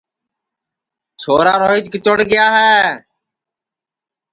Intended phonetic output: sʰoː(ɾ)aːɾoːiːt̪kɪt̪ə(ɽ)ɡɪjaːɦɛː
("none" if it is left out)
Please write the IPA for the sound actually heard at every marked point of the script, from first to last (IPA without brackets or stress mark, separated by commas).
ɾ, ɽ